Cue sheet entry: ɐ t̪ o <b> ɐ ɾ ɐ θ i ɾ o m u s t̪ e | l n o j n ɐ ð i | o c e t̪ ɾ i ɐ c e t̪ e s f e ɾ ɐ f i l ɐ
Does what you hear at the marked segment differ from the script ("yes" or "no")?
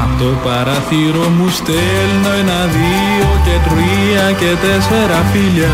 yes